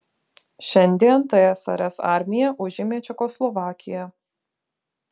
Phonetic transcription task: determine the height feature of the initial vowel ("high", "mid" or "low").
mid